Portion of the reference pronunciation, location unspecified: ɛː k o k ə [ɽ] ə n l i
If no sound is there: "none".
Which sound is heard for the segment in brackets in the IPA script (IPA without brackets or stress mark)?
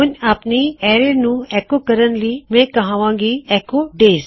ɾ